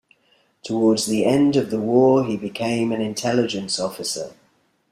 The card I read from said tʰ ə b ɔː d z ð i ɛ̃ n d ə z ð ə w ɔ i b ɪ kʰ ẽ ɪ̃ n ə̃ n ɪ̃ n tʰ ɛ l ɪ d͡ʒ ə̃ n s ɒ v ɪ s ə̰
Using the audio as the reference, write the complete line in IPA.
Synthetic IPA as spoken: tʰ ə w ɔː d z ð i ɛ̃ n d ə v ð ə w ɔː i b ɪ kʰ ẽ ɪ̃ m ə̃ n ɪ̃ n tʰ ɛ l ɪ d͡ʒ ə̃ n s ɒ f ɪ s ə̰